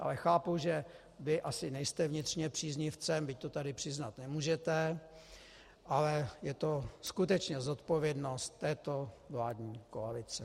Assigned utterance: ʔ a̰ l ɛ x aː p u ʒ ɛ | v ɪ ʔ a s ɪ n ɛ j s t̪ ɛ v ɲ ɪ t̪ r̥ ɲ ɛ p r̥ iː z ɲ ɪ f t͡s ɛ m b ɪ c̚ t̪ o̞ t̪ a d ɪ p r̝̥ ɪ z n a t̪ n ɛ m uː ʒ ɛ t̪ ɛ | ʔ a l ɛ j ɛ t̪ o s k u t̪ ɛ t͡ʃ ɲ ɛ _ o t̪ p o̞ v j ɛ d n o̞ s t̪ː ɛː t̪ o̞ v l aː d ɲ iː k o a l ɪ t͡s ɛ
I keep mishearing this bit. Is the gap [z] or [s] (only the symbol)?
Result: z